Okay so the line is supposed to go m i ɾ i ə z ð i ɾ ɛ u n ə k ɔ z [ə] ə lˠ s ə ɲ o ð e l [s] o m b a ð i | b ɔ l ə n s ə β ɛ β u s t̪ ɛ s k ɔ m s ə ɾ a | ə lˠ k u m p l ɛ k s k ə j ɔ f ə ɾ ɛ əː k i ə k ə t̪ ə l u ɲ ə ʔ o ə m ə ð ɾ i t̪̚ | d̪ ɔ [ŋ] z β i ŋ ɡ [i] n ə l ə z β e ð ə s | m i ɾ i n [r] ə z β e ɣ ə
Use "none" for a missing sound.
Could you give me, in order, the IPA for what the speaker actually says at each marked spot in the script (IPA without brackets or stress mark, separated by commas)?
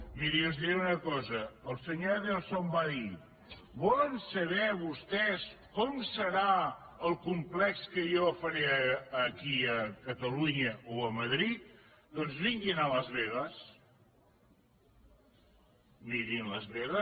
ə, s, n, i, l